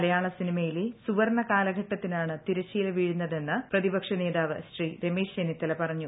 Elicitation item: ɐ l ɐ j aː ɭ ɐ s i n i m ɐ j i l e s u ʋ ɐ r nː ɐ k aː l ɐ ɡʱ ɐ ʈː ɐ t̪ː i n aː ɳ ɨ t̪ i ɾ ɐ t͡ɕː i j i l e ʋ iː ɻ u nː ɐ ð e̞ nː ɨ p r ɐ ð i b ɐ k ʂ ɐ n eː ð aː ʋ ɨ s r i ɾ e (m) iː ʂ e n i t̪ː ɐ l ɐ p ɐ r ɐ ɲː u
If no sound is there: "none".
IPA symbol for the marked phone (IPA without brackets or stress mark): m